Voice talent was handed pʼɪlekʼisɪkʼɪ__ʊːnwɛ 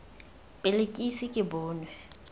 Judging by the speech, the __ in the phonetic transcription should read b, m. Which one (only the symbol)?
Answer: b